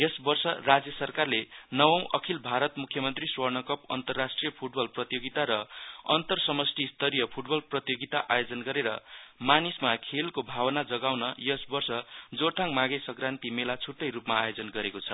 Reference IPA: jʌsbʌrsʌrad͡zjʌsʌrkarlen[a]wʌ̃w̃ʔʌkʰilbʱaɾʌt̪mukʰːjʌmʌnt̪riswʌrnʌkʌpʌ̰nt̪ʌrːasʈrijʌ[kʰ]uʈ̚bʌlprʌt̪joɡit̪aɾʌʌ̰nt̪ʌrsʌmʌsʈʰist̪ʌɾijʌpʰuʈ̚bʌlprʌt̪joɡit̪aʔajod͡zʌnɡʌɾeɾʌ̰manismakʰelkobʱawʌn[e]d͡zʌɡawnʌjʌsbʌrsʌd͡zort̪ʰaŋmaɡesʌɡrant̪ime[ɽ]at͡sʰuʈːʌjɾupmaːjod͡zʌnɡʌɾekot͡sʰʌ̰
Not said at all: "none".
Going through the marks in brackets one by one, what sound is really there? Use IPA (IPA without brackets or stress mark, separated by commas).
ʌ, pʰ, a, l